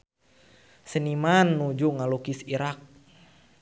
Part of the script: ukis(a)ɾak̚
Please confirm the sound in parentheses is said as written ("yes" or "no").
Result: no